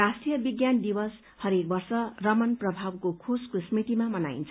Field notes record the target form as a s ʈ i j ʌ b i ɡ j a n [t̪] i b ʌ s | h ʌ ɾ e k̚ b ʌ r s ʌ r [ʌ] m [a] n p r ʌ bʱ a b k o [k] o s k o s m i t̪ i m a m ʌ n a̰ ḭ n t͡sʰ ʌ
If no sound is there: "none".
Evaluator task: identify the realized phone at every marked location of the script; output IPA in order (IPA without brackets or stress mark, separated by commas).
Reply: d̪, ʌ, ʌ, kʰ